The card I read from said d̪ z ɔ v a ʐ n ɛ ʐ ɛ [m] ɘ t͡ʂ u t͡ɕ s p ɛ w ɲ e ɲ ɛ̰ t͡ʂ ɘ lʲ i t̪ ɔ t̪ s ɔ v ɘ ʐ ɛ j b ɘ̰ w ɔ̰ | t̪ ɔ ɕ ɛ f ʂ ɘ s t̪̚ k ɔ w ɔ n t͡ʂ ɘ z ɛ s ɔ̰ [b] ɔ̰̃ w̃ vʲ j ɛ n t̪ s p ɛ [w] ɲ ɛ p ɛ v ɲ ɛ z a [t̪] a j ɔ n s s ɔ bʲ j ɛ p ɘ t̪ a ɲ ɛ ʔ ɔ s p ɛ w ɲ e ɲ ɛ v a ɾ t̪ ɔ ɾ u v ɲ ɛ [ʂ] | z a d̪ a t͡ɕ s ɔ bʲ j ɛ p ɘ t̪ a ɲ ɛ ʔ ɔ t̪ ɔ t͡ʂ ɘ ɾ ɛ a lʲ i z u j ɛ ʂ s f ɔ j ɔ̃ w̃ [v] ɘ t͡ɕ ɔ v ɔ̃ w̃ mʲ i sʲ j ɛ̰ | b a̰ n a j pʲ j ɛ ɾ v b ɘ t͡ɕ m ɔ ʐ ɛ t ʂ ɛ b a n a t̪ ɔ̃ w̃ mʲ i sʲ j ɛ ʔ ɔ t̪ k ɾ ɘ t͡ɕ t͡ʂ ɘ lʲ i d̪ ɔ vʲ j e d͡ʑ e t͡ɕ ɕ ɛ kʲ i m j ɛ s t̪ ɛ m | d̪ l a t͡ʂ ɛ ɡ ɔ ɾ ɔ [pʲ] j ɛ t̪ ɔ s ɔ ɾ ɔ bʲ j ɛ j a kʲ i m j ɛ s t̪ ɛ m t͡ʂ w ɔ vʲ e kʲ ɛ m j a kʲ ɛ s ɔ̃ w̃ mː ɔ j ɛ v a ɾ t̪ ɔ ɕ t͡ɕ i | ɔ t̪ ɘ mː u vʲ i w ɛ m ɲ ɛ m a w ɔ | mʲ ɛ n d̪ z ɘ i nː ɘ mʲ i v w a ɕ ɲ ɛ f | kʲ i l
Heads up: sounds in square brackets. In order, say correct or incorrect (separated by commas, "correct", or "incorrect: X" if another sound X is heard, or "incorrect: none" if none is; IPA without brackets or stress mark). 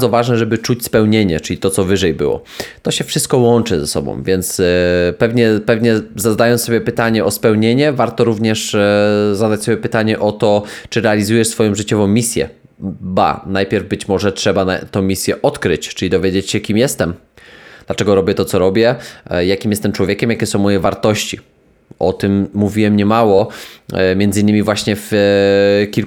incorrect: b, correct, incorrect: v, incorrect: d̪, correct, incorrect: ʐ, incorrect: bʲ